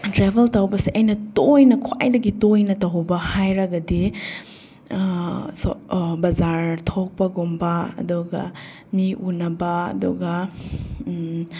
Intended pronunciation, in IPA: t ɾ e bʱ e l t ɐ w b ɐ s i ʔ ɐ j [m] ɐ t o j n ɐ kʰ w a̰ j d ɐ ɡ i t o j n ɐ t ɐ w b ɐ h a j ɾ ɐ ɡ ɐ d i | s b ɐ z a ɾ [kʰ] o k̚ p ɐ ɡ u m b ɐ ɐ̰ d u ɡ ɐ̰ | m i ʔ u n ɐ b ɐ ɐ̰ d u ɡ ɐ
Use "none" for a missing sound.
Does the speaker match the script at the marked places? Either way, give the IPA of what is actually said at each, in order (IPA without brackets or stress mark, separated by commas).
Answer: n, tʰ